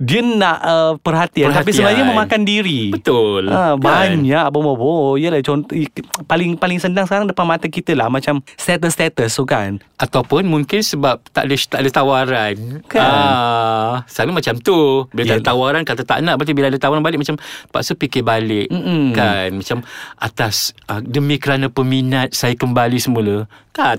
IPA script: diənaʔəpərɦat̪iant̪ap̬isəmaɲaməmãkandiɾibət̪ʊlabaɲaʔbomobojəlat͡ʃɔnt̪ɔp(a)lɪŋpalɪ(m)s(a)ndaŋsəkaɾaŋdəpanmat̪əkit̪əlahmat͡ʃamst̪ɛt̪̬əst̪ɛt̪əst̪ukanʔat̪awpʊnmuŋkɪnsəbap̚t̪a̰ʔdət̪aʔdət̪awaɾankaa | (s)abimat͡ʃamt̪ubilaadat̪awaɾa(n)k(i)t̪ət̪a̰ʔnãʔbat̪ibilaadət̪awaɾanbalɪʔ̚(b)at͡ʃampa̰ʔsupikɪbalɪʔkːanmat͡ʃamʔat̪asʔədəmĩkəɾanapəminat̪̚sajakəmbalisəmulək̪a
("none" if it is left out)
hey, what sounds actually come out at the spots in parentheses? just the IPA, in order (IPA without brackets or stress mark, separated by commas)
a, ŋ, ə, s, n, a, m